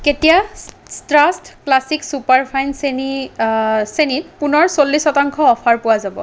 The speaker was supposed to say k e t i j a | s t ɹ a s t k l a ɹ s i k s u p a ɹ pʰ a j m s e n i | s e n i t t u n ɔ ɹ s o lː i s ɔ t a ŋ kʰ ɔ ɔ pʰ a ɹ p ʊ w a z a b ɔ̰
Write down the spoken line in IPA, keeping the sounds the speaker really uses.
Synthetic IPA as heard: k e t i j a | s t ɹ a s t k l a s i k s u p a ɹ pʰ a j n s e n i | s e n i t p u n ɔ ɹ s o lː i s ɔ t a ŋ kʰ ɔ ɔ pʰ a ɹ p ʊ w a z a b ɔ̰